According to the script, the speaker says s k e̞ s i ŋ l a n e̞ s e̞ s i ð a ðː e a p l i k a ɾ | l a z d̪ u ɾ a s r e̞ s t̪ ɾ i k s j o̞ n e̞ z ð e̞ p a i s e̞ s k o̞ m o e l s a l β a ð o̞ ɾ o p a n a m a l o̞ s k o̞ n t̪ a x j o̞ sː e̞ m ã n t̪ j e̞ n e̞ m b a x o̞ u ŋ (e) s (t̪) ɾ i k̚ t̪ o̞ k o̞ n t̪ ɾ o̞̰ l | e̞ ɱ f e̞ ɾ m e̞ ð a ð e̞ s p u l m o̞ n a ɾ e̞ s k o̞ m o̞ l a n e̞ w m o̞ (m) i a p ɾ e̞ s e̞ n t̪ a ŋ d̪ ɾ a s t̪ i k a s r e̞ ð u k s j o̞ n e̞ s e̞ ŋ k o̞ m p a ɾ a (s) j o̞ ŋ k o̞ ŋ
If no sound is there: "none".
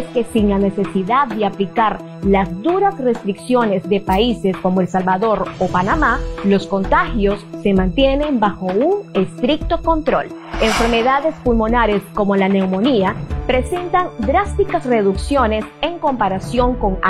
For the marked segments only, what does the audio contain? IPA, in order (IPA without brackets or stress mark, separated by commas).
e, t̪, n, s